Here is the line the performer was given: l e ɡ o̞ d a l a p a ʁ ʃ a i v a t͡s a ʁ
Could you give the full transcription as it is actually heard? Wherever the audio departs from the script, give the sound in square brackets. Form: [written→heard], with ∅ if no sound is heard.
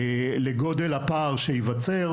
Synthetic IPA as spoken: l e ɡ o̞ d [a→e] l a p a ʁ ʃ [a→e] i v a t͡s [a→e] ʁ